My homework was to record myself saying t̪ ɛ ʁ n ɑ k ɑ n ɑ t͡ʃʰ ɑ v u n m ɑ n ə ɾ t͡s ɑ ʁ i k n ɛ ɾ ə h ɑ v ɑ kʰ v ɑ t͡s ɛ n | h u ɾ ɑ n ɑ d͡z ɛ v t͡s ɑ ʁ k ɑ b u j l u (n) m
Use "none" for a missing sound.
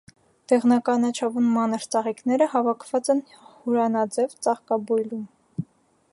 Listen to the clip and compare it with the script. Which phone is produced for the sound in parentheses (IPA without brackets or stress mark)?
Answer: none